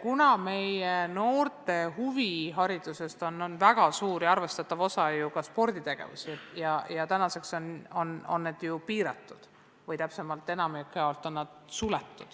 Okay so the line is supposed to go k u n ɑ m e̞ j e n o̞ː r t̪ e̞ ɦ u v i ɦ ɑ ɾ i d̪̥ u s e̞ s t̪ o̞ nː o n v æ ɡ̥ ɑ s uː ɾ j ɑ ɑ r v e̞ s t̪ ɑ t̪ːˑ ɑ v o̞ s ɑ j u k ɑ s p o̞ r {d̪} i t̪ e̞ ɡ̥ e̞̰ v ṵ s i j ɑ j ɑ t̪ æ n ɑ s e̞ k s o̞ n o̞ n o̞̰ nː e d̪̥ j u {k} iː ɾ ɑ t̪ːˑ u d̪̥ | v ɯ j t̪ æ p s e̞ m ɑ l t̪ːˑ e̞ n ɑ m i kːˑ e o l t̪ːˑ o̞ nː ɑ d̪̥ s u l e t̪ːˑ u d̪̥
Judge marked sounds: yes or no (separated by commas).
yes, no